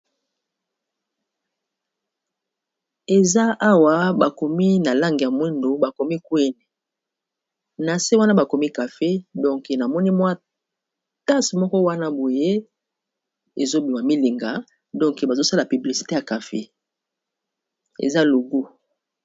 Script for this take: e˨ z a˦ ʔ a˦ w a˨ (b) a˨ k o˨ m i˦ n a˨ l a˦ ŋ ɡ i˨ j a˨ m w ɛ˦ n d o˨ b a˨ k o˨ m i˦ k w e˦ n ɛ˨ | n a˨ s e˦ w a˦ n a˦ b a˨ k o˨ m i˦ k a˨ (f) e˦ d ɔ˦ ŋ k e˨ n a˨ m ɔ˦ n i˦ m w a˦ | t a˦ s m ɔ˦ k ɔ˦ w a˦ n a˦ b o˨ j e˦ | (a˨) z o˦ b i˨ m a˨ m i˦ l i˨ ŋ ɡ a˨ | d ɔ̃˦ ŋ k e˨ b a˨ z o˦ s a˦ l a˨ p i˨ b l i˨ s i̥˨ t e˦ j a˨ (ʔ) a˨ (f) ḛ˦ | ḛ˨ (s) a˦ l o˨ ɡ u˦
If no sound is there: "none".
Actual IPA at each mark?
b, f, e˨, k, f, z

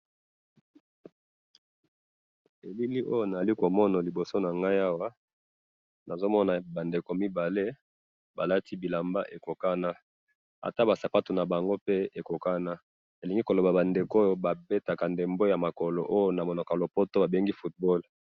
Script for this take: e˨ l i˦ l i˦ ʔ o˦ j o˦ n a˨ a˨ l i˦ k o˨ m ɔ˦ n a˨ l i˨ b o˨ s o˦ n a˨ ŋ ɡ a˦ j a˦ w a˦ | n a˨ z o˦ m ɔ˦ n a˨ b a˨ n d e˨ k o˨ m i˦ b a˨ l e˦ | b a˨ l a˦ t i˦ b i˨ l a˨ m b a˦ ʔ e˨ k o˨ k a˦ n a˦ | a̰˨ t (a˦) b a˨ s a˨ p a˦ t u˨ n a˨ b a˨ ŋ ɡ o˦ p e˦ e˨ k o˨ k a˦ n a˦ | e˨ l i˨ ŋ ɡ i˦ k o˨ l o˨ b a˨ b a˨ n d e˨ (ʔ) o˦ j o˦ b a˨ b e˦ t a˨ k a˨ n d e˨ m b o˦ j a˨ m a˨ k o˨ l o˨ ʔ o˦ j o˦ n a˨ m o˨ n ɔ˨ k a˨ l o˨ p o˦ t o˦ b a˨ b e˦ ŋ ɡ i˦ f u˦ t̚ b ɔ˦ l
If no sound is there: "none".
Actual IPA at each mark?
a˦, k

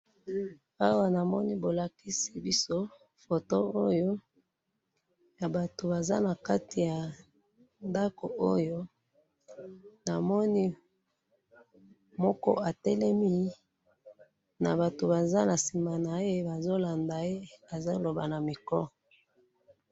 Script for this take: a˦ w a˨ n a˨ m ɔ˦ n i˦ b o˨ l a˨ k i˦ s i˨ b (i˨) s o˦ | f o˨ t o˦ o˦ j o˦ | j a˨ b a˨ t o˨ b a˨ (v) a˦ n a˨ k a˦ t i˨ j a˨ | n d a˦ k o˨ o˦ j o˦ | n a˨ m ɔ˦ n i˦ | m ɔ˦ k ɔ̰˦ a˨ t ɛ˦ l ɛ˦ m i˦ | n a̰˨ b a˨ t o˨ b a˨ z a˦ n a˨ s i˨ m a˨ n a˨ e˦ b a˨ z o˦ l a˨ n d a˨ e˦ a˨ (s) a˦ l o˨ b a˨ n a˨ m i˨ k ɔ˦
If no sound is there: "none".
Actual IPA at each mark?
i˦, z, z

